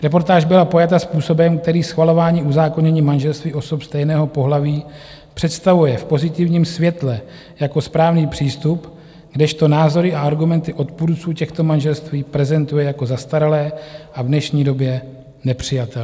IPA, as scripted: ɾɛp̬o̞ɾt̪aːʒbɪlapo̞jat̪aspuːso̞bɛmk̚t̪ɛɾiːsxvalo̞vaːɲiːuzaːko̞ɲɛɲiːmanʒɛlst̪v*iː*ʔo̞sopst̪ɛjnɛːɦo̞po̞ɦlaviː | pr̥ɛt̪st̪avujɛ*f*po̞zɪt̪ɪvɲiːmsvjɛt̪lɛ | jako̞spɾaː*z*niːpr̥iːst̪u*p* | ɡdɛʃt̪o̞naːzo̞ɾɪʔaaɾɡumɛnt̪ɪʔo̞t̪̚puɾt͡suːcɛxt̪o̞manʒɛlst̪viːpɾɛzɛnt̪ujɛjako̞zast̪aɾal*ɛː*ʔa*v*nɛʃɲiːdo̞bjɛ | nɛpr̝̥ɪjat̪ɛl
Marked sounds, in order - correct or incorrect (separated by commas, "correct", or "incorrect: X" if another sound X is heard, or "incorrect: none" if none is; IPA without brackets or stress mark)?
correct, correct, incorrect: v, correct, correct, correct